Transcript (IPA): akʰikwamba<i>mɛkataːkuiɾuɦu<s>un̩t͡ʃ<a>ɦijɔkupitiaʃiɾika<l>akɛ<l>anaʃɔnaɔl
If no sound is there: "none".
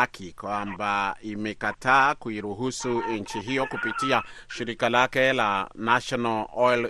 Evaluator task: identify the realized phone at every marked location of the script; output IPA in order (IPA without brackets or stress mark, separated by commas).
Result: i, s, i, l, l